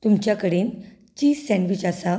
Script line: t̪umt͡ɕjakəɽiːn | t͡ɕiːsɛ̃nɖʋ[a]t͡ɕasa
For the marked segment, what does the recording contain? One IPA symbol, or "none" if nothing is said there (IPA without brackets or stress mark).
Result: i